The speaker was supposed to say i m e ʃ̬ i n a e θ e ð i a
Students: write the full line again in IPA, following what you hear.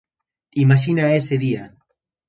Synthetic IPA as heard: i m a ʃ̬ i n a e s e ð i a